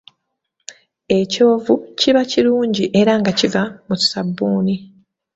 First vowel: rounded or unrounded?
unrounded